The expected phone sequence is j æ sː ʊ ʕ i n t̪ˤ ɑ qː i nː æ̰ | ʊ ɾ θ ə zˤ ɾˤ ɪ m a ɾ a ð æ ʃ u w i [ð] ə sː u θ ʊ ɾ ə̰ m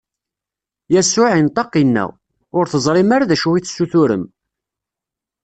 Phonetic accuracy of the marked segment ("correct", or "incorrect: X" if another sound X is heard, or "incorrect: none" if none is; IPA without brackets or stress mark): incorrect: θ